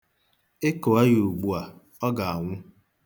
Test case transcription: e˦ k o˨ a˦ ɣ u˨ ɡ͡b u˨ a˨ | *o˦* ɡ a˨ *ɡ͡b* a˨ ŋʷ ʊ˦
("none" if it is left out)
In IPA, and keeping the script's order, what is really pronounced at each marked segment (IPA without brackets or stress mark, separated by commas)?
ɔ˦, none